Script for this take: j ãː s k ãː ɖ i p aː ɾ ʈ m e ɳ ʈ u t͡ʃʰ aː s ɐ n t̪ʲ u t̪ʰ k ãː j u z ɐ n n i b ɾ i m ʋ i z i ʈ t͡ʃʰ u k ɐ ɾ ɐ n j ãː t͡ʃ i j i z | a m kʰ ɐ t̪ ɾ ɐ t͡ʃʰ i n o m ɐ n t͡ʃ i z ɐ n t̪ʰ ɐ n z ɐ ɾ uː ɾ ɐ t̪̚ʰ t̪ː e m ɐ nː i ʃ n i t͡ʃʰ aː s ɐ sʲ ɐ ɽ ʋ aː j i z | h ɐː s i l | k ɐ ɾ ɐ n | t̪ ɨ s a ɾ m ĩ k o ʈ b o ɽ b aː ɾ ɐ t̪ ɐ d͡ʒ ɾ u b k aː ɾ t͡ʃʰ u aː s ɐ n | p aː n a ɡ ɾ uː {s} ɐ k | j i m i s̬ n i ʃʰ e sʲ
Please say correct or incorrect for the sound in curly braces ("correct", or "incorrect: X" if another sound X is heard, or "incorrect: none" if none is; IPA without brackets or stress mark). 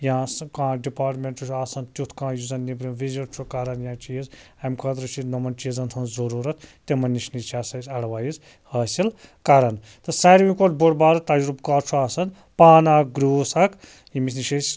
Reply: correct